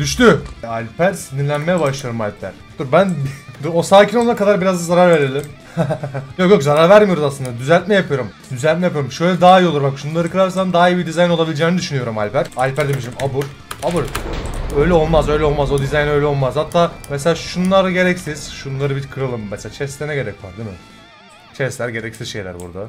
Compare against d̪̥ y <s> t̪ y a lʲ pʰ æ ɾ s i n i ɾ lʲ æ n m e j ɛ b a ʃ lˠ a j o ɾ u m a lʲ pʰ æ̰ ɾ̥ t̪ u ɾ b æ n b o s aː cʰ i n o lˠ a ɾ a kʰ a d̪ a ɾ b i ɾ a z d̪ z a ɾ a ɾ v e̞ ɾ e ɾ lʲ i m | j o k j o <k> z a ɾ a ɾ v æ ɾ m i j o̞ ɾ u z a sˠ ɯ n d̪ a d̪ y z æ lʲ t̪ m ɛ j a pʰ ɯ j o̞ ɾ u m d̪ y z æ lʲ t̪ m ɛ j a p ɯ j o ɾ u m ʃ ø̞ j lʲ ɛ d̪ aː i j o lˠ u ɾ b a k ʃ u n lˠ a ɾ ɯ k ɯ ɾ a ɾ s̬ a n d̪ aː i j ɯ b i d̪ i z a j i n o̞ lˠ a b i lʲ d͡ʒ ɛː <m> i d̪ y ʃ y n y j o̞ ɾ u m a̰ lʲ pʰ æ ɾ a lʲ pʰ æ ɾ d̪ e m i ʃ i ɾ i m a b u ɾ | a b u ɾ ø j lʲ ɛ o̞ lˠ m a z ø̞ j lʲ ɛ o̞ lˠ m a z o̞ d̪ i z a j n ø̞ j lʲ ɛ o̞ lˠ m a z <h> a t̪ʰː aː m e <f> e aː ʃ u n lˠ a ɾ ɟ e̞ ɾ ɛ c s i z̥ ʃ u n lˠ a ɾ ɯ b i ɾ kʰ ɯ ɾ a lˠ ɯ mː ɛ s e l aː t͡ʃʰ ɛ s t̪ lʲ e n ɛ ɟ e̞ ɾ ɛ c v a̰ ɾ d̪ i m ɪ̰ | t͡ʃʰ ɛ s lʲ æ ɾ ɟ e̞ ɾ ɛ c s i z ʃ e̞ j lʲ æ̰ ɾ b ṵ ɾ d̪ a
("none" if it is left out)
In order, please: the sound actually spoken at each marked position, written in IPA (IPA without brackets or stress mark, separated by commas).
ʃ, k, n, h, s